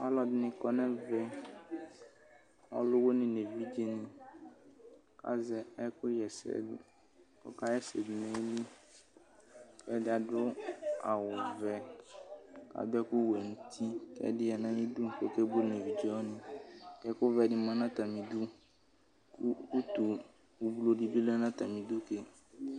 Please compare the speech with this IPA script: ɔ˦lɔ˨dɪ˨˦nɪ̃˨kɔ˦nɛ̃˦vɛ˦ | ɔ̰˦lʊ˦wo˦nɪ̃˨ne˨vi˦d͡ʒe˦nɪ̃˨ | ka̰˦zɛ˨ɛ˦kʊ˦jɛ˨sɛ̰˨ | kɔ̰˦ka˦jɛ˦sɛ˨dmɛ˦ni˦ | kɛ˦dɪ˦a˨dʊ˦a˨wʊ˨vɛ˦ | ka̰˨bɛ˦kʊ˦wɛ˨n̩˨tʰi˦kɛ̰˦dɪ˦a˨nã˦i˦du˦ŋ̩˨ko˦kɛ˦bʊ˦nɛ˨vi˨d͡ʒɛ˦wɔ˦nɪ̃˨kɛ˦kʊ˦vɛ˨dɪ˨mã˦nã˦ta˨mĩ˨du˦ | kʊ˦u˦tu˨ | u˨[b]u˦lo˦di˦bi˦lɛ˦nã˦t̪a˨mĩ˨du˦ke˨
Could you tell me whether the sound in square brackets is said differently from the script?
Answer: no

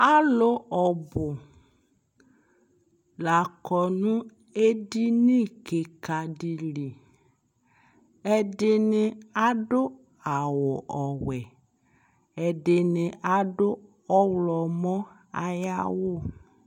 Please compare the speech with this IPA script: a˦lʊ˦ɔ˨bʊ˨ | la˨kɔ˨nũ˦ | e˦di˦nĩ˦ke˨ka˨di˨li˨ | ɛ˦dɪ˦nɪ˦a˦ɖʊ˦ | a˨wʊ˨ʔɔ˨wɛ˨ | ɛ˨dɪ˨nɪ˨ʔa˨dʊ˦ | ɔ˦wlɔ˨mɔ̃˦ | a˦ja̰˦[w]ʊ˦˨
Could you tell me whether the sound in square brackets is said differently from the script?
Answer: no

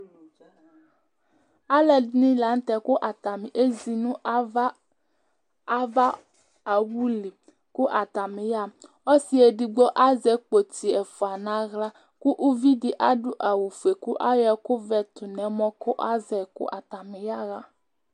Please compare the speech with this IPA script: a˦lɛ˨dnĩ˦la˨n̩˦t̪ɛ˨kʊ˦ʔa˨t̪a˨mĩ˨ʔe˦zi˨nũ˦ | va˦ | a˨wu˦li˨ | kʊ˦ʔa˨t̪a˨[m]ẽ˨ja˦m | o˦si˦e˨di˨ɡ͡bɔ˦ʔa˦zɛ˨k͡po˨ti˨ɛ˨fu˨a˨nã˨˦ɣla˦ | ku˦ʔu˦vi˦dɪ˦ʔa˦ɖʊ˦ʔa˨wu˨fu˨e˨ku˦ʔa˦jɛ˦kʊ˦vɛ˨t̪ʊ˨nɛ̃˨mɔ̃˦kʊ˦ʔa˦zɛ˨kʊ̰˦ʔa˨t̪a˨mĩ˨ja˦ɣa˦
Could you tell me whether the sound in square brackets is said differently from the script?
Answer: no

